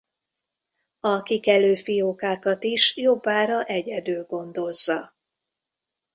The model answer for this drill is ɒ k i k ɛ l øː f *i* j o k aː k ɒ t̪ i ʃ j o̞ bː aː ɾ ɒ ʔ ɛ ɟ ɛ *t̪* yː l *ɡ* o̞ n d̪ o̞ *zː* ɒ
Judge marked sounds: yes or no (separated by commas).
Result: yes, no, yes, yes